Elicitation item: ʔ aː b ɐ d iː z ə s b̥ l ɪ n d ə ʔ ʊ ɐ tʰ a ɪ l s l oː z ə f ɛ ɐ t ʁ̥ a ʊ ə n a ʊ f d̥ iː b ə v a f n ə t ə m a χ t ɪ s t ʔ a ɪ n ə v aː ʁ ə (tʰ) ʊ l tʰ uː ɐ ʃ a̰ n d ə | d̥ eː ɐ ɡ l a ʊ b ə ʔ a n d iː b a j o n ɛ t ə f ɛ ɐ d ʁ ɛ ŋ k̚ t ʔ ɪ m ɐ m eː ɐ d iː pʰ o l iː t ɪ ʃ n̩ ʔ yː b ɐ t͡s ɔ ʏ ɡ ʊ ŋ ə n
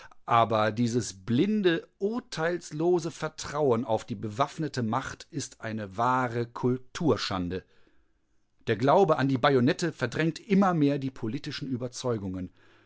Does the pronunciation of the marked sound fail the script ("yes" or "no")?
yes